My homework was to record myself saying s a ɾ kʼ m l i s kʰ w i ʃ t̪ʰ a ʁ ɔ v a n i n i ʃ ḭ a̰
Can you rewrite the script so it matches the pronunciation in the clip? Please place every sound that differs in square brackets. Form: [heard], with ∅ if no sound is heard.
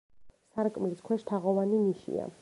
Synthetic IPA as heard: s a ɾ kʼ m l i s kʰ w [ɛ] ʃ t̪ʰ a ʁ ɔ v a n i n i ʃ ḭ a̰